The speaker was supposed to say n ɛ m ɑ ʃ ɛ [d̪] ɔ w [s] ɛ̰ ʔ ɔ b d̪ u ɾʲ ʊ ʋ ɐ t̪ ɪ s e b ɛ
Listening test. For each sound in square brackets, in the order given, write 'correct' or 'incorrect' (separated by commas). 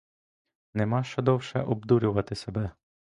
correct, incorrect